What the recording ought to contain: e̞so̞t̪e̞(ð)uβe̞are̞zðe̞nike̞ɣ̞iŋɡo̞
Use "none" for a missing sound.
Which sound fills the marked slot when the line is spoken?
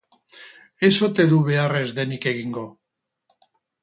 ð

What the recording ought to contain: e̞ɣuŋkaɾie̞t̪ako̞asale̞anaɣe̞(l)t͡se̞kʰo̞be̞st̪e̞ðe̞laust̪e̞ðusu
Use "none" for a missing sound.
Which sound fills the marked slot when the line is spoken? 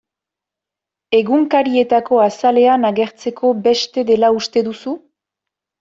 ɾ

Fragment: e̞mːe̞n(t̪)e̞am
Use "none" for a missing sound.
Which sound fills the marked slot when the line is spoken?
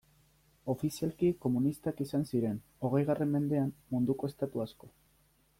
d̪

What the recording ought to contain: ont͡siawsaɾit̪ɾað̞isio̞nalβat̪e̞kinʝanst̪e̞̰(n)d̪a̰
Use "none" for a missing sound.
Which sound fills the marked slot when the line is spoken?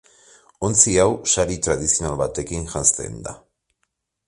n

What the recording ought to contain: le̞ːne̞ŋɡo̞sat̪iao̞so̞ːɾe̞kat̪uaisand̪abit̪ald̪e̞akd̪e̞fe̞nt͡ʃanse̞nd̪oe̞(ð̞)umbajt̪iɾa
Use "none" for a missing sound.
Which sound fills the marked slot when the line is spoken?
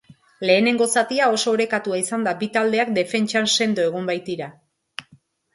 ɣ̞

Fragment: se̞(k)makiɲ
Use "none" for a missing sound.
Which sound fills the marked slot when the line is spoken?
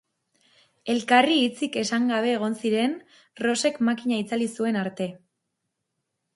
k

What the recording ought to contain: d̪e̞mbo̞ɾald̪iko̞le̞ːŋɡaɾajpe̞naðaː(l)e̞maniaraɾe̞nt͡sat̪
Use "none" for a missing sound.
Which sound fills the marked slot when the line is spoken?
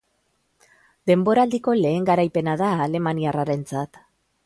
l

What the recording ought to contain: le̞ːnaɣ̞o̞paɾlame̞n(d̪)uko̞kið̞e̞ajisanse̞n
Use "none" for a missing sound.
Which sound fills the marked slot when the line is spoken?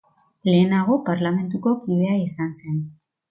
t̪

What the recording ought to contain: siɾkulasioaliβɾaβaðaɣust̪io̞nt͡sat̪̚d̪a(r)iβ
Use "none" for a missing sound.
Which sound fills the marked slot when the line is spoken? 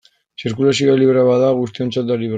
l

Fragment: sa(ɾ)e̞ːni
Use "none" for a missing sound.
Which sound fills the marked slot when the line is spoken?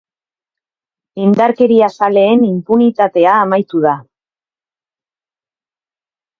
l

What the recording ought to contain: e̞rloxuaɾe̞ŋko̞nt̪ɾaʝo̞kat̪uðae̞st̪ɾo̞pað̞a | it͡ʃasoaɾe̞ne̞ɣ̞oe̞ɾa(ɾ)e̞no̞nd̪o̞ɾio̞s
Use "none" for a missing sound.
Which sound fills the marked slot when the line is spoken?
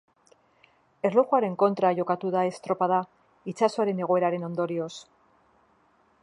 ɾ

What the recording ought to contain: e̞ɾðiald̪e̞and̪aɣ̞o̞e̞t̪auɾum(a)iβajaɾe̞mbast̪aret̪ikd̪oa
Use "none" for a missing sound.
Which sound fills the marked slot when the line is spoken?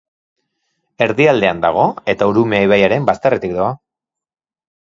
e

